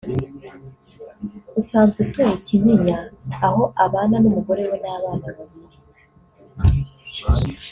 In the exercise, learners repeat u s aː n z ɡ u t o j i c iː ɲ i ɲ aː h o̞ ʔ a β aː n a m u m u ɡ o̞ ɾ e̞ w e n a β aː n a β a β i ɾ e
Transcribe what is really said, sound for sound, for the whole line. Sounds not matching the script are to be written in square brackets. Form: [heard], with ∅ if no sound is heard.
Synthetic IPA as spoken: u s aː n z ɡ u t o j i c [i] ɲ i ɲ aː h o̞ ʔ a β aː n a [n] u m u ɡ o̞ ɾ e̞ w e n a β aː n a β a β i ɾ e